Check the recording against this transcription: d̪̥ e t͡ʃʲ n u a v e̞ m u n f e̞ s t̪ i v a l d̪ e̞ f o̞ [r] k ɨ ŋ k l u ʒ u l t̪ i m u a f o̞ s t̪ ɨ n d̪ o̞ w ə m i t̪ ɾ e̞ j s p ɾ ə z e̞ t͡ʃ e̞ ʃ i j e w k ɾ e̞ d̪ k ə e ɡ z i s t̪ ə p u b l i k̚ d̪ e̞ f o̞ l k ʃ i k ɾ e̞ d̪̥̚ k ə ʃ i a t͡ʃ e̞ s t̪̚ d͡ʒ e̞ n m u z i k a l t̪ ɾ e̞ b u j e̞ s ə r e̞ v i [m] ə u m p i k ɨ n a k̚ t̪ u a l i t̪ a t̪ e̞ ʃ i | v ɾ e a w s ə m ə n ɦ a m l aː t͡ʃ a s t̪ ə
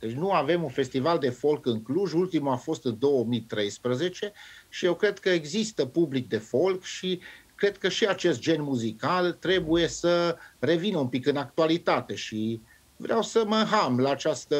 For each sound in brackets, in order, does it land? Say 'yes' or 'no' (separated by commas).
no, no